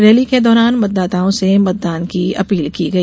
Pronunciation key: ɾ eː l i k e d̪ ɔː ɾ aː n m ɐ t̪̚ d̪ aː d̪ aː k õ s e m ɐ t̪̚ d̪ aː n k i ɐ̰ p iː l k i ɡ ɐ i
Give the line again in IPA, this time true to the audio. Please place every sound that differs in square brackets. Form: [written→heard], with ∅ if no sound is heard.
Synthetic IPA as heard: ɾ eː l i k e d̪ ɔː ɾ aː n m ɐ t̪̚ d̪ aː [d̪→t̪] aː [k→∅] õ s e m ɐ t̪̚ d̪ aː n k i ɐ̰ p iː l k i ɡ ɐ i